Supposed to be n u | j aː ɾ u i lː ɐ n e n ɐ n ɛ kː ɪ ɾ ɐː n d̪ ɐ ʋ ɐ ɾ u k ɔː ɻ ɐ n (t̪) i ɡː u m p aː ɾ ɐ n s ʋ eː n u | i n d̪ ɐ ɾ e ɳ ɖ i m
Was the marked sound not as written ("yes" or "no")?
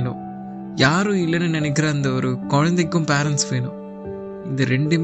yes